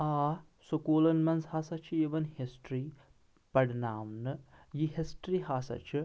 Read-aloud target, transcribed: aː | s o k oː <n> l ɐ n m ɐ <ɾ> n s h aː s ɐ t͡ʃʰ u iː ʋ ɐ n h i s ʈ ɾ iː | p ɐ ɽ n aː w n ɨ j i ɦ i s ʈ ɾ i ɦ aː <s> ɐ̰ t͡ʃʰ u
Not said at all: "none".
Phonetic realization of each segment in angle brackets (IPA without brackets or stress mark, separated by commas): none, none, s